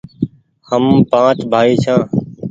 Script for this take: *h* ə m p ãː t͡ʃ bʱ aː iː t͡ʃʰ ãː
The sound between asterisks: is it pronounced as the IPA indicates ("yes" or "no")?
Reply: yes